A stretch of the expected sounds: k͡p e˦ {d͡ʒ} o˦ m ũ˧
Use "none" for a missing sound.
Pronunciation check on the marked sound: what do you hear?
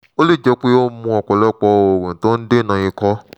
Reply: none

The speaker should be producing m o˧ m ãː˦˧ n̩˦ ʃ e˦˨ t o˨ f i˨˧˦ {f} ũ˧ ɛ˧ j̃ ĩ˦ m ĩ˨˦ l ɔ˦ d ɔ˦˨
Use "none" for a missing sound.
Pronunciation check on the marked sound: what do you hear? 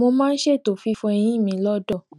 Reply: f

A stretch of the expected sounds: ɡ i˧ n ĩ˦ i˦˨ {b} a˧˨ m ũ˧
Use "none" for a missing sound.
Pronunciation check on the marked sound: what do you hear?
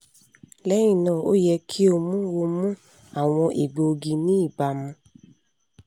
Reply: b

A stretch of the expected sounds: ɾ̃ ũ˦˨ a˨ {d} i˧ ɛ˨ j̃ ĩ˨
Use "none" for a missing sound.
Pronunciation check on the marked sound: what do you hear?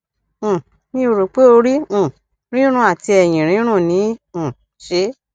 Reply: t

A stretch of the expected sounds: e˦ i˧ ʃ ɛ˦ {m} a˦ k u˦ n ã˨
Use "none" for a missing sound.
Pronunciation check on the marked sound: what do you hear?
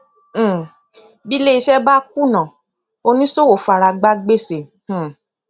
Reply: b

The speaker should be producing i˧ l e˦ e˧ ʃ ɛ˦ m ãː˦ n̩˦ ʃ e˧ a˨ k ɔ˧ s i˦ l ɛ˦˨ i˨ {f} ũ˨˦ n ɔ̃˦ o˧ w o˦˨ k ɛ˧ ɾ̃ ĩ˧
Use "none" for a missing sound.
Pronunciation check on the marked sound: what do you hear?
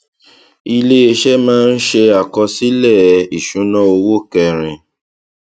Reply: ʃ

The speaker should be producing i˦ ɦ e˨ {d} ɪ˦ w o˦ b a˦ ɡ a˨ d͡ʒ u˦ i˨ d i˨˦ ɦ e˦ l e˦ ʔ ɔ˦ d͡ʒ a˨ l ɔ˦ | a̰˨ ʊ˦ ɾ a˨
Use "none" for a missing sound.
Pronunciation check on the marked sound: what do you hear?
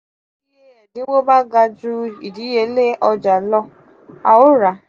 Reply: d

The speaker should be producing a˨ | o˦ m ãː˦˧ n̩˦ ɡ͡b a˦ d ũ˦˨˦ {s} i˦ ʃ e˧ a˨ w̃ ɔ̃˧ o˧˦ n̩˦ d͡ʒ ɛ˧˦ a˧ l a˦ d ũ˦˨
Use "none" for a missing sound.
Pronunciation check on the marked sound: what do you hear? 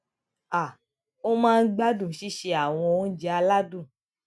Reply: ʃ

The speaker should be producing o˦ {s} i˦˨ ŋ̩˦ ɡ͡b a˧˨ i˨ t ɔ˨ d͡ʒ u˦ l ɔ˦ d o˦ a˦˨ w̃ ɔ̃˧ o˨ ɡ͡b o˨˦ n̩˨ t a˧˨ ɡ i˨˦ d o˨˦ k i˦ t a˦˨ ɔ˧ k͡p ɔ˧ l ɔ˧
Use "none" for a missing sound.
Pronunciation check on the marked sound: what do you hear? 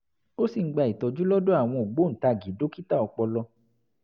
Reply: s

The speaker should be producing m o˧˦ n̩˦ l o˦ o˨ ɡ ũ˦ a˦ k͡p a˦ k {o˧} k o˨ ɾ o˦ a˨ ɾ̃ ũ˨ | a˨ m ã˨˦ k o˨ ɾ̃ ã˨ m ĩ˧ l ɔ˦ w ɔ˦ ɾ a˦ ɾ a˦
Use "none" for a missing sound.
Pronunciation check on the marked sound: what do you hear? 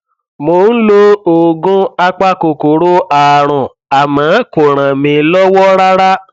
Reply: o˧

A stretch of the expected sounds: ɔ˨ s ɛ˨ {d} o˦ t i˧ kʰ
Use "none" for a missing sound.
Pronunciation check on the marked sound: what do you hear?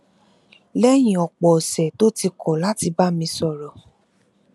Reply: t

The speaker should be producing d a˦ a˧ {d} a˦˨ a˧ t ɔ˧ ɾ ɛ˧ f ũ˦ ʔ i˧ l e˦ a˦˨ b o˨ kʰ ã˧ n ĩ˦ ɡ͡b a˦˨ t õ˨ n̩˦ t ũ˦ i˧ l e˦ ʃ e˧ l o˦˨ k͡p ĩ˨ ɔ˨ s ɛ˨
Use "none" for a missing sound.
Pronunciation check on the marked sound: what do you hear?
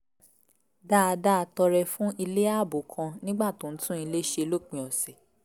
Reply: d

